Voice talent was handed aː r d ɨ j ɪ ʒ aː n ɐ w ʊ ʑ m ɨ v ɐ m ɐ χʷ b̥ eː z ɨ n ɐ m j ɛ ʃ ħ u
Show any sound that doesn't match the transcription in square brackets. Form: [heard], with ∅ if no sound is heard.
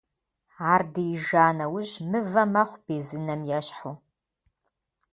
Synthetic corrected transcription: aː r d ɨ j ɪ ʒ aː n ɐ w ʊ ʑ m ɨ v ɐ m ɐ χʷ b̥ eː z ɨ n ɐ m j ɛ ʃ ħ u